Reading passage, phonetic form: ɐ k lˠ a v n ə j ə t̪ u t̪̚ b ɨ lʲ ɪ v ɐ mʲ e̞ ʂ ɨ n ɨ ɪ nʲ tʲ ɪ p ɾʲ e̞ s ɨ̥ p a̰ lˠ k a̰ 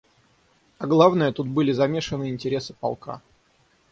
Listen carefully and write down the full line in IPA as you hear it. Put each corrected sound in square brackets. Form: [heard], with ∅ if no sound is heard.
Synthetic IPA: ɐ [ɡ] lˠ a v n ə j ə t̪ u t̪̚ b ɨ lʲ ɪ [z] ɐ mʲ e̞ ʂ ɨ n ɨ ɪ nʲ tʲ ɪ [∅] ɾʲ e̞ s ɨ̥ p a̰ lˠ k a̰